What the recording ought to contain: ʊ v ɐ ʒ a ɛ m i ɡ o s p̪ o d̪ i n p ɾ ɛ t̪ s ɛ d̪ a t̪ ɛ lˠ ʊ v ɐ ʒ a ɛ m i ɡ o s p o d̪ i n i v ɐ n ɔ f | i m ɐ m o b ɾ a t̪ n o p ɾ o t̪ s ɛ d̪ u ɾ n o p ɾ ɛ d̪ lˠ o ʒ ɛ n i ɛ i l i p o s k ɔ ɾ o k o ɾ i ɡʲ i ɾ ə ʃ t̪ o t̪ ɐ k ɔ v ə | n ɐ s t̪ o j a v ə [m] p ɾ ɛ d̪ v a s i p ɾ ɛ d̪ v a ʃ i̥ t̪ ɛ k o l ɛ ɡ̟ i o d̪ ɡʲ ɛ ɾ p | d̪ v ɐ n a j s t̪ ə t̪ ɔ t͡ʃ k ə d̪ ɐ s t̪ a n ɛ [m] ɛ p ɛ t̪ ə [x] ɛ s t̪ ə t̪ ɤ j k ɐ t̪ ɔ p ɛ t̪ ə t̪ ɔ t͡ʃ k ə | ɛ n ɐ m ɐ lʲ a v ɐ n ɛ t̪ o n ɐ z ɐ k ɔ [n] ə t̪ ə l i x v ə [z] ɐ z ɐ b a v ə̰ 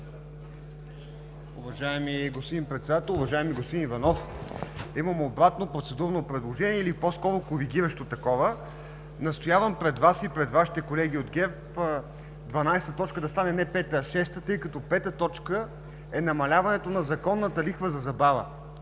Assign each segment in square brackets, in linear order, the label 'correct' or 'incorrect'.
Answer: correct, incorrect, incorrect, incorrect, correct

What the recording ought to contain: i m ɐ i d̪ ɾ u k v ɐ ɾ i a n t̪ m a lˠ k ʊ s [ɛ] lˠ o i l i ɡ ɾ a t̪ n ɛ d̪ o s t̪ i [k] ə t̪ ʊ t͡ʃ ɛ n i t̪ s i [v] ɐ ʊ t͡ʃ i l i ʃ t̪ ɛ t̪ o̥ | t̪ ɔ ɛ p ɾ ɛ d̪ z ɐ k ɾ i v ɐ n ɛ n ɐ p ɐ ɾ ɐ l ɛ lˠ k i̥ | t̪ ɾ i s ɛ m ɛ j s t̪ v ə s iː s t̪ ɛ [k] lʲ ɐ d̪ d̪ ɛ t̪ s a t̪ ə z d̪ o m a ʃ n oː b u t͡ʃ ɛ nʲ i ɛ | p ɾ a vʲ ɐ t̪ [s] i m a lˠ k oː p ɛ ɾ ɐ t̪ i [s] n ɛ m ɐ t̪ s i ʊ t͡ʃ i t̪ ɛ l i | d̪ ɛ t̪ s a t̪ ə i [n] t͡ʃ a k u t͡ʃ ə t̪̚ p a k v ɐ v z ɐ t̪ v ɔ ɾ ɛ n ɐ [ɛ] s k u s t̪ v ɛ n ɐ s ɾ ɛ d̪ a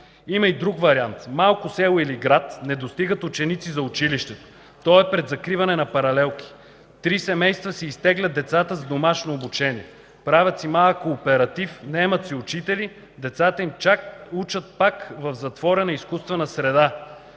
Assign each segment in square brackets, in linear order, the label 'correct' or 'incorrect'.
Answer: correct, incorrect, incorrect, incorrect, correct, incorrect, incorrect, incorrect

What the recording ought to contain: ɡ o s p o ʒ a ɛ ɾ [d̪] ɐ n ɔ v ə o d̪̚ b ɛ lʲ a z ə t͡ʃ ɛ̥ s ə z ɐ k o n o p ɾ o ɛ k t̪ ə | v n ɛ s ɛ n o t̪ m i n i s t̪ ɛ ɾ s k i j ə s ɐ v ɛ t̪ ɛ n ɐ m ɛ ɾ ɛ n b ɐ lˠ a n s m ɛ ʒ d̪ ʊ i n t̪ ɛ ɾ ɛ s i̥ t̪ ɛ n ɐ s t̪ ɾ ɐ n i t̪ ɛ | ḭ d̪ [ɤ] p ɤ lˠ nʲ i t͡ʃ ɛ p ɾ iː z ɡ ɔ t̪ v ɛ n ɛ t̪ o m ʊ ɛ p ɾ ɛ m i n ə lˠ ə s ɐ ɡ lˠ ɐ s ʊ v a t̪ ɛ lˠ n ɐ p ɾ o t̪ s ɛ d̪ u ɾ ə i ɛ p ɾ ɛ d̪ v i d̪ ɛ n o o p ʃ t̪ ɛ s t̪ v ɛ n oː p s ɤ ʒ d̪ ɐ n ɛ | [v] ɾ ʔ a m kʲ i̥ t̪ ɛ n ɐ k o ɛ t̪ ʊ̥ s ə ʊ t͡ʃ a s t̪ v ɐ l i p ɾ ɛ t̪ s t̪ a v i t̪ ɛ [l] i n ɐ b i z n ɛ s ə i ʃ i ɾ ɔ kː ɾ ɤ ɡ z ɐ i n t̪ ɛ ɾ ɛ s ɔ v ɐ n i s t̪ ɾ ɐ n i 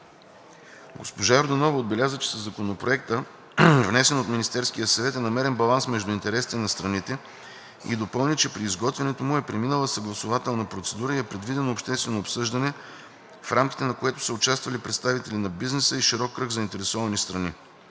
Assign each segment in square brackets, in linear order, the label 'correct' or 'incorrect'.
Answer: correct, incorrect, incorrect, correct

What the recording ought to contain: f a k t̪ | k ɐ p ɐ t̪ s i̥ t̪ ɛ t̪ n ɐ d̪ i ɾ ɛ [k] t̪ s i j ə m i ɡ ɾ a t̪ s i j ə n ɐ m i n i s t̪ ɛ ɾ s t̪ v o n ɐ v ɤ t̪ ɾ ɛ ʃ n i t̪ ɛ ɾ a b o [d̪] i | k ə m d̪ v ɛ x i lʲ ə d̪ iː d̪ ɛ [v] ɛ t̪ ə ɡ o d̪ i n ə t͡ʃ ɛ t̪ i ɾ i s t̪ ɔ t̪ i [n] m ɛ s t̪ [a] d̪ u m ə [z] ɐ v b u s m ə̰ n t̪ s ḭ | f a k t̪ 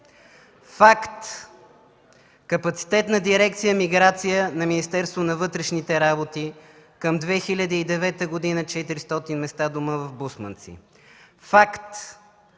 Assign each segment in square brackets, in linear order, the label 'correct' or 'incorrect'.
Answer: correct, incorrect, correct, correct, correct, incorrect

